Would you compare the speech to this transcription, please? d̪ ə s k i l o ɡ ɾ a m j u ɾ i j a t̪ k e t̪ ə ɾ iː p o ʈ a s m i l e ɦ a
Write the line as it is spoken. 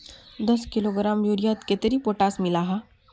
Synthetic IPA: d̪ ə s k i l o ɡ ɾ a m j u ɾ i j a t̪ k e t̪ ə ɾ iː p o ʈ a s m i l a ɦ a